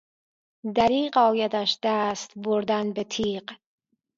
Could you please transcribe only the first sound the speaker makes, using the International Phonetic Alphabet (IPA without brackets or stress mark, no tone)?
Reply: d̪